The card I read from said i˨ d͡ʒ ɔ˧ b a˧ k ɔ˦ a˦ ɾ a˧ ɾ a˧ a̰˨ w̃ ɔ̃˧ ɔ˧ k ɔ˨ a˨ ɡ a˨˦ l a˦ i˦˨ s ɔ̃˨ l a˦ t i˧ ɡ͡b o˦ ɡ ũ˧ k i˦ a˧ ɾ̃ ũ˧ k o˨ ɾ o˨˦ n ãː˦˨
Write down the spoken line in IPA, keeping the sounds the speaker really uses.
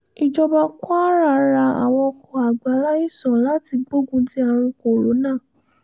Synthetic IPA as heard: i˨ d͡ʒ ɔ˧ b a˧ k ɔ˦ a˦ ɾ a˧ ɾ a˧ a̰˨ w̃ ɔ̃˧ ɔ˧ k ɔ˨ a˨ ɡ͡b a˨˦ l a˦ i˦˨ s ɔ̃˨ l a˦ t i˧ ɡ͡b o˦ ɡ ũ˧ t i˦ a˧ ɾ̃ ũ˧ k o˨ ɾ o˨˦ n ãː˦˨